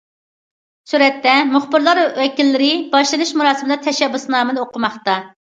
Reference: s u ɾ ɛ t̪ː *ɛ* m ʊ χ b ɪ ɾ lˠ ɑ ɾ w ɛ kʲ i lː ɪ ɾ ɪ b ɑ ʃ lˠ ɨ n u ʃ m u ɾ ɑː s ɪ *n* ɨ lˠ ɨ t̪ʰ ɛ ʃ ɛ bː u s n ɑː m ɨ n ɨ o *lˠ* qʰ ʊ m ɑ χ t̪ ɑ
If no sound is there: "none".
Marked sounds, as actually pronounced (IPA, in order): ɛ, m, none

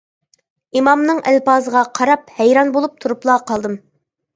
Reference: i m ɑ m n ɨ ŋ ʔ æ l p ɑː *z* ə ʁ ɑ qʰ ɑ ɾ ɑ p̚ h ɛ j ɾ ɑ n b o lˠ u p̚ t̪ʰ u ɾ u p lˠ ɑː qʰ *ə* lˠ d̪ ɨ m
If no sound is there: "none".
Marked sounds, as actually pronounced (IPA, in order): z, ɑ

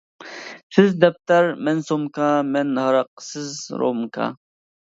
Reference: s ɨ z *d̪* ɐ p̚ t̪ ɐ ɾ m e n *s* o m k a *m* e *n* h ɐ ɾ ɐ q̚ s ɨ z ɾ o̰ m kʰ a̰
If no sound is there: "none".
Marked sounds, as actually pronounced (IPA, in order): d̪, s, m, n

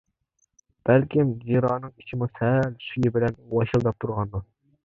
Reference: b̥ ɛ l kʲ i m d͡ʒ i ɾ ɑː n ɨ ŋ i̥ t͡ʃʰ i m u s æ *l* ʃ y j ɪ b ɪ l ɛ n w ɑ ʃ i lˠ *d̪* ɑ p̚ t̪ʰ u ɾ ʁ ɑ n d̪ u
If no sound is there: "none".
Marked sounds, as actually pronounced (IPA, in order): l, d̪

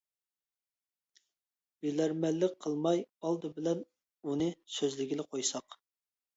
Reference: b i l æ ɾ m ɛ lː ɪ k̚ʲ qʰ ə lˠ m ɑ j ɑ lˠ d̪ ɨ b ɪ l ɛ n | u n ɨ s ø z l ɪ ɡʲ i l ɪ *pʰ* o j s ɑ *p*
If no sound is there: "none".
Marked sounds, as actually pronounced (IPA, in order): qʰ, q

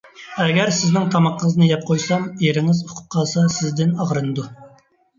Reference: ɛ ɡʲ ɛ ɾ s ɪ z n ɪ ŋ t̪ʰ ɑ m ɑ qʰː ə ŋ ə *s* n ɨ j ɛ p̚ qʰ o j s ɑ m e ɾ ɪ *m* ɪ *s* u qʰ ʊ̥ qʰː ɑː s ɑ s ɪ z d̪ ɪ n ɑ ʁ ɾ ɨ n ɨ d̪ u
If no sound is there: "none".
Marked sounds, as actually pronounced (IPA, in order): z, ŋ, z

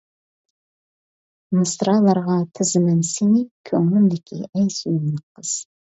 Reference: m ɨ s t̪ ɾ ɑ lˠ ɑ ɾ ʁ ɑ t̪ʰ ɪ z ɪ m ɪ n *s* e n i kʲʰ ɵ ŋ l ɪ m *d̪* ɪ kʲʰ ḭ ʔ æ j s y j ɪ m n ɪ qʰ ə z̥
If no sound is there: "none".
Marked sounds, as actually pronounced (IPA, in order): s, d̪

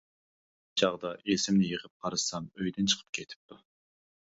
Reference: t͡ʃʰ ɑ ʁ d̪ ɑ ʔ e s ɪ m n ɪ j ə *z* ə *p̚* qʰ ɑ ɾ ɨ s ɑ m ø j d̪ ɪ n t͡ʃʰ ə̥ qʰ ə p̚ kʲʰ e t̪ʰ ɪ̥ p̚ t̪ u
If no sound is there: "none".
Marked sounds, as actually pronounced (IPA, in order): ʁ, p̚

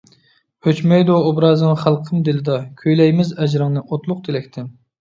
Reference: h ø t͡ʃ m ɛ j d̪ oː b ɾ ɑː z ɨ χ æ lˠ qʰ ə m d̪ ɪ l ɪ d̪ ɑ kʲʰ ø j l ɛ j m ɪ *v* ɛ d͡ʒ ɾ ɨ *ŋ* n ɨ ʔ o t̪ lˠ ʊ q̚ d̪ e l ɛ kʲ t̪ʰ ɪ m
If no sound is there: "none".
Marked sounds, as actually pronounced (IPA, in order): z, ŋ

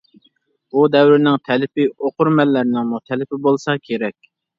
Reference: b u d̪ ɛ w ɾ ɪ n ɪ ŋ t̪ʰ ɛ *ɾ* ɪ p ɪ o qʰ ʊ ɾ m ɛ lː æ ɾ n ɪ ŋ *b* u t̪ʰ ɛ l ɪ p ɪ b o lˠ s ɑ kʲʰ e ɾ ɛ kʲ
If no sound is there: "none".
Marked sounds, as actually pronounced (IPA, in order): l, m

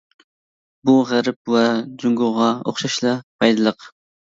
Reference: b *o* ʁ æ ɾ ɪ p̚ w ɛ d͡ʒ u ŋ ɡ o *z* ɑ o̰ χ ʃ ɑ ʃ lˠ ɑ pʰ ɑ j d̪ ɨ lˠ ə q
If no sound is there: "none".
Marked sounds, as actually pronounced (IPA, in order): u, ʁ

